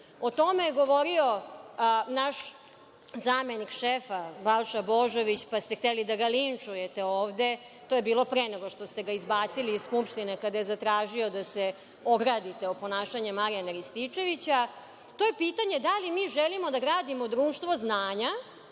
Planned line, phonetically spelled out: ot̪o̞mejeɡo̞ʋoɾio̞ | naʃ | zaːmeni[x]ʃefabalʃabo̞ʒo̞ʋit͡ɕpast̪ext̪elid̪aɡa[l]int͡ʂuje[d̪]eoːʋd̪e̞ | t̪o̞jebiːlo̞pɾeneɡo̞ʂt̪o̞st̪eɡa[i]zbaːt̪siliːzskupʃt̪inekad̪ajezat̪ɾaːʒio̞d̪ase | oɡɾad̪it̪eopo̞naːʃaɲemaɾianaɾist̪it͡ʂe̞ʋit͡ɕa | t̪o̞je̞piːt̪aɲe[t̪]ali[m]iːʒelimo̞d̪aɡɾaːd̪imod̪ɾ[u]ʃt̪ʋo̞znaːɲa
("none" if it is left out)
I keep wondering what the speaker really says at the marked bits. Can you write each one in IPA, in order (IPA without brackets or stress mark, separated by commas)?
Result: k, l, t̪, i, d̪, m, uː